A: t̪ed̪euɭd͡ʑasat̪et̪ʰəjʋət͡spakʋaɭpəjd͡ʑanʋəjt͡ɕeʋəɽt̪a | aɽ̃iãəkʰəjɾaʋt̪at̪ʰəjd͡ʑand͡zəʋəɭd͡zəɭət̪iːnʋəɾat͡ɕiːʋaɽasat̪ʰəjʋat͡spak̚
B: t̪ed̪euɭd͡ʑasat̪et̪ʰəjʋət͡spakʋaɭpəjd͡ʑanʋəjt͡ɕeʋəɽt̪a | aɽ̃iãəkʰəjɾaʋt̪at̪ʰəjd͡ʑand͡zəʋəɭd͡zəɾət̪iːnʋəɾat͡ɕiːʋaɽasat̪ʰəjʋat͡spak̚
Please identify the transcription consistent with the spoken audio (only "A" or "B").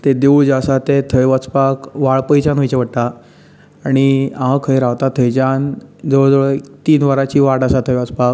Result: A